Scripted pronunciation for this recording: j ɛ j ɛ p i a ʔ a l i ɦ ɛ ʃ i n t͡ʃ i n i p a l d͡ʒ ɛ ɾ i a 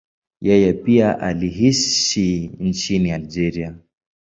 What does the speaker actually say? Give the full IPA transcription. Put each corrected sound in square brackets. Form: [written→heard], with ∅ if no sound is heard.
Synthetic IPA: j ɛ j ɛ p i a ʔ a l i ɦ [ɛ→i] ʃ i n t͡ʃ i n i [p→∅] a l d͡ʒ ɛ ɾ i a